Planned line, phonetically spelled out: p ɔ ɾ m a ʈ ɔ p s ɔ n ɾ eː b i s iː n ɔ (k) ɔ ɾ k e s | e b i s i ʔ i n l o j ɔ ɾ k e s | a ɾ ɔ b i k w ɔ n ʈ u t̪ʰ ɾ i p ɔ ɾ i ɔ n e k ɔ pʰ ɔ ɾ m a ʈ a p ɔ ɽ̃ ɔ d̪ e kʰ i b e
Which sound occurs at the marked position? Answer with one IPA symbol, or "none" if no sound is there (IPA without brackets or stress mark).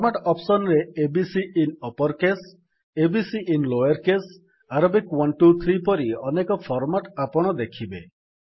p